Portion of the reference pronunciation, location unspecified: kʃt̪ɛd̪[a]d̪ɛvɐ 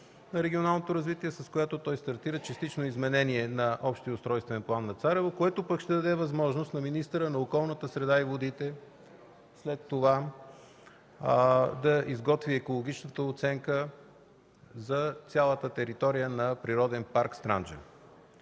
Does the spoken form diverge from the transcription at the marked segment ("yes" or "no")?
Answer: yes